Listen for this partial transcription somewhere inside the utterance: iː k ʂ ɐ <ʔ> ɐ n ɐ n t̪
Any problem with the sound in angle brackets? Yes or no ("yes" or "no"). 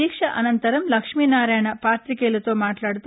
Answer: no